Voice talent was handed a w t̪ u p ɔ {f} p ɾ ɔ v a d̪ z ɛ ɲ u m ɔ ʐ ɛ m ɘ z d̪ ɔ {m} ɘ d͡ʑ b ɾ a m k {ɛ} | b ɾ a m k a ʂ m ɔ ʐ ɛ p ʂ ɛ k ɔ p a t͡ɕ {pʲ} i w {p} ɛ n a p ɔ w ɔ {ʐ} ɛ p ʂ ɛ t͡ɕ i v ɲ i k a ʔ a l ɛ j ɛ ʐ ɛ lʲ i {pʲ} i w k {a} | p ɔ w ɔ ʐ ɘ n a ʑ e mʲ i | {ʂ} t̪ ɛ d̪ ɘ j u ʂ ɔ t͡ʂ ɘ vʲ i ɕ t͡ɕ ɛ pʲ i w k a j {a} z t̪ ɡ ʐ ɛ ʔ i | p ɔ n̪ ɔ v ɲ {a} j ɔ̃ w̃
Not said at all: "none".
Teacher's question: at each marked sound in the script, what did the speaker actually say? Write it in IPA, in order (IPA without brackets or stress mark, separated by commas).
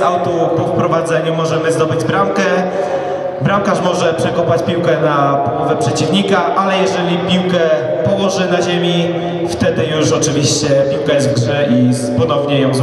f, b, ɛ, pʲ, k, v, pʲ, ɛ, f, ɛ, ɛ